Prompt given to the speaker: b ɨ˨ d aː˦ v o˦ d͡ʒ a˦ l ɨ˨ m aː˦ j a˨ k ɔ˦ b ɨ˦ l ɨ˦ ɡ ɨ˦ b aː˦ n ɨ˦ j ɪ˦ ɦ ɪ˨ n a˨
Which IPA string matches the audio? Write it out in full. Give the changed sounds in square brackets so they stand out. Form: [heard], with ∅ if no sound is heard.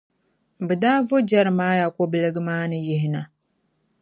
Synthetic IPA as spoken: b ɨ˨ d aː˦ v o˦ d͡ʒ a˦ [ɾ] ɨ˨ m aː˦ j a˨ k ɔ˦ b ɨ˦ l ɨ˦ ɡ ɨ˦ [m] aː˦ n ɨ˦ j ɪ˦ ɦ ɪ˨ n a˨

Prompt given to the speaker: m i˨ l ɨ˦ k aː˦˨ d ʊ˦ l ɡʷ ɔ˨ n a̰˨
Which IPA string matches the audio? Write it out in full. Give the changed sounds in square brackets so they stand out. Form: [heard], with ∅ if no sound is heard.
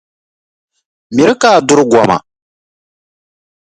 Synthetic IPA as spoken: m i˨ [ɾ] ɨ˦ k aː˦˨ d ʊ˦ [ɾ] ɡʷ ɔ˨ [m] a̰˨

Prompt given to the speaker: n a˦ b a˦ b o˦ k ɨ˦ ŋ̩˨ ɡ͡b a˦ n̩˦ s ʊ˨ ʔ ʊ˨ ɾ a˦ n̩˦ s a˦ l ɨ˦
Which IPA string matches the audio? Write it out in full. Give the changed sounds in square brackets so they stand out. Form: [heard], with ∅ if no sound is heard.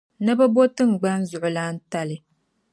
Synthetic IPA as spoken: n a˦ b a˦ b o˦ [t] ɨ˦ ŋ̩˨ ɡ͡b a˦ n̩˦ [z] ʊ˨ ʔ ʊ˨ [l] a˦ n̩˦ [t] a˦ l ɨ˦

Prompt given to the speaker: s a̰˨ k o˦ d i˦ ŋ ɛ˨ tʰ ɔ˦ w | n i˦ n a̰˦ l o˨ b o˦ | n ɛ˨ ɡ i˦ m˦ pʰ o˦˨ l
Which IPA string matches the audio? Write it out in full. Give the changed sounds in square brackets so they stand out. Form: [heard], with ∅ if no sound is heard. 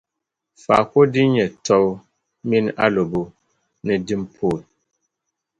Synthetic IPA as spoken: [f] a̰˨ k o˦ d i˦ [ɲ] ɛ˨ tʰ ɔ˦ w | [m] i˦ n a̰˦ l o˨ b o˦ | n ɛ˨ [d] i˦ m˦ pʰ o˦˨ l

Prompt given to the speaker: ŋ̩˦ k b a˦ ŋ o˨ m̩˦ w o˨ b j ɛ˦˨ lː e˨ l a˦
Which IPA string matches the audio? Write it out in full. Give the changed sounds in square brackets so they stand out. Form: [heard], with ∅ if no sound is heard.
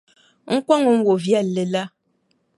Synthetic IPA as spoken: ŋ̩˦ k [w] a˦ ŋ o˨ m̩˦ w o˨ [v] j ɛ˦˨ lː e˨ l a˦

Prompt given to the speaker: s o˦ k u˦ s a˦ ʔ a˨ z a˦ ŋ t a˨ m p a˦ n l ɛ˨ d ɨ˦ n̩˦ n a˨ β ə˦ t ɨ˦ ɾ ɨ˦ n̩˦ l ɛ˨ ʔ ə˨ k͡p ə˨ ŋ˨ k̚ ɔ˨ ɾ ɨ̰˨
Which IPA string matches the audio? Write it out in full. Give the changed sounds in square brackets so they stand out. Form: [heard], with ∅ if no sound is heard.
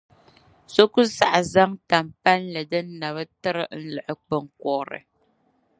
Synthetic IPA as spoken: s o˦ k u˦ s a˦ ʔ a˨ z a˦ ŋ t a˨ m p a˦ n l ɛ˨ d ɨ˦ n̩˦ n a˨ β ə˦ t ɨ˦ ɾ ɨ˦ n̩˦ l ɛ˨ ʔ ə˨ k͡p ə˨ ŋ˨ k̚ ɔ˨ ɾ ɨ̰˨

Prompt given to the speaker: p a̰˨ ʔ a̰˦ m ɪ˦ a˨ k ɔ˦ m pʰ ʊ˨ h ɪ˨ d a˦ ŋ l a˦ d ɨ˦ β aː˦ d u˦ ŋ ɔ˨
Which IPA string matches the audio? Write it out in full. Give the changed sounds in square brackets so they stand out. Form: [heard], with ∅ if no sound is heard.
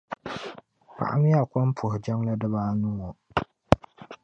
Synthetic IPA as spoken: p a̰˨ ʔ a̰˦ m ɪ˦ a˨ k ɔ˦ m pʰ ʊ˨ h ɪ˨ [d͡ʒ] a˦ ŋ l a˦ d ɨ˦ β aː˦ [n] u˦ ŋ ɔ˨

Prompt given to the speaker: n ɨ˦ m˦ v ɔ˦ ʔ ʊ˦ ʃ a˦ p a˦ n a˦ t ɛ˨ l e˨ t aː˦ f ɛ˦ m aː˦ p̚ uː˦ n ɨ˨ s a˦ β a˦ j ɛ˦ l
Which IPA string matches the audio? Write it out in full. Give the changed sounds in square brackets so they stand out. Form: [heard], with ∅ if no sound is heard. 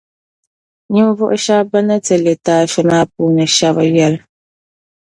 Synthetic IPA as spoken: [ɲ] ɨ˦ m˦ v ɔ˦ ʔ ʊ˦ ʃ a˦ [b] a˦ n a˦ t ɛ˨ l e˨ t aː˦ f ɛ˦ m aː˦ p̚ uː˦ n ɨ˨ [ʃ] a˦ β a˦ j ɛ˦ l

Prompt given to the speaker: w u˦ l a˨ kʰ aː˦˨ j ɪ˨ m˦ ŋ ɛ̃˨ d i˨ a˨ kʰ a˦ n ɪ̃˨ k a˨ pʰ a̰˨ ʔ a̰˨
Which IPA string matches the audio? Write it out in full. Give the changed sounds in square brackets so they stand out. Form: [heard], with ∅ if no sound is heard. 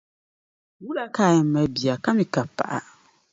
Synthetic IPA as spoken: w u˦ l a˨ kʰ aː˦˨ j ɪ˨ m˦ [m] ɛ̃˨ [b] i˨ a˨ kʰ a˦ [m] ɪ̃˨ k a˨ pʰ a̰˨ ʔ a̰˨

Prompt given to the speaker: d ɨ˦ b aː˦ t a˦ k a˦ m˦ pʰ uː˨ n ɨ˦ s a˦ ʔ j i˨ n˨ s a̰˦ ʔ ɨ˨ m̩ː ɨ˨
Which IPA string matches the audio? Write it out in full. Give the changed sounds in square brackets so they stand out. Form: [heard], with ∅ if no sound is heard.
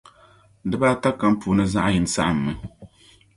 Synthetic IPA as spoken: d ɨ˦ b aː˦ t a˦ k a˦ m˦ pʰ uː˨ n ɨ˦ [z] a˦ ʔ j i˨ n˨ s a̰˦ ʔ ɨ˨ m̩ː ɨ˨

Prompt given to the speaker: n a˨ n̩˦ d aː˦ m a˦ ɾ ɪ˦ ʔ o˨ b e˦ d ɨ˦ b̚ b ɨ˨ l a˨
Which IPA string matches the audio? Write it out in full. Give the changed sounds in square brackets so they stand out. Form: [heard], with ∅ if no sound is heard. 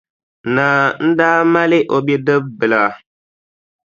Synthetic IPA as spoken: n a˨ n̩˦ d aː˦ m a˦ [l] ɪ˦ ʔ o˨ b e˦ d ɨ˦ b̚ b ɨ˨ l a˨

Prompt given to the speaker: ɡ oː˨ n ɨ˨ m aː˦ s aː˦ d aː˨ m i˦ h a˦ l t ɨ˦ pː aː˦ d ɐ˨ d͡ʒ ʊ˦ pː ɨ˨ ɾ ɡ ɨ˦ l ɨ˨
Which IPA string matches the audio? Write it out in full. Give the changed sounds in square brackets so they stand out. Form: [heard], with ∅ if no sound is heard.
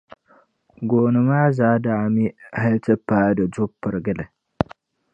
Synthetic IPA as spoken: ɡ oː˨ n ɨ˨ m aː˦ [z] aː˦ d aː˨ m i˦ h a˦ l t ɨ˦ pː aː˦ d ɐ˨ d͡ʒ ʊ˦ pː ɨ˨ ɾ ɡ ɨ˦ l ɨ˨

